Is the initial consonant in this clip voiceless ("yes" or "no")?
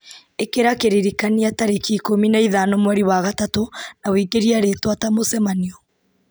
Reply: yes